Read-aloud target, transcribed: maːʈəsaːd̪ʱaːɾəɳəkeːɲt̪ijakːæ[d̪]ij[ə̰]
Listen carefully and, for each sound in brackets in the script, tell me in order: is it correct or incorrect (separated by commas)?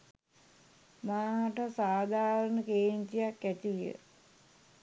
incorrect, correct